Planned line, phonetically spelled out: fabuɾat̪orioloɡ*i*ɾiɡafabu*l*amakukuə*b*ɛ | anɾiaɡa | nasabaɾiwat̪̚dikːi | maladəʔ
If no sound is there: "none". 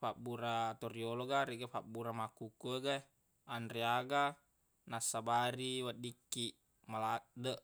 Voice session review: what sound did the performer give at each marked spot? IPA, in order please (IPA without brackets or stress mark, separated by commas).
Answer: a, ɾ, ɡ